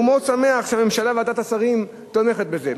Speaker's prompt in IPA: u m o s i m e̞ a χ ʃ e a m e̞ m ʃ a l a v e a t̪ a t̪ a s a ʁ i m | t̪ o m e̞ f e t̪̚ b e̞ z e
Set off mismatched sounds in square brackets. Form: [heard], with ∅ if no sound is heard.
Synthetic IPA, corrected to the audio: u m o s [a] m e̞ a χ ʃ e a m e̞ m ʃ a l a v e a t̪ a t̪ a s a ʁ i m | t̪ o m e̞ [χ] e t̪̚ b e̞ z e